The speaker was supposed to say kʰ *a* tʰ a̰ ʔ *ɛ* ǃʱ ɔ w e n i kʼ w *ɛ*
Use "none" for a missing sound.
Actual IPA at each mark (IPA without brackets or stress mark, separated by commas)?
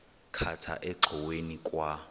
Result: a, ɛ, a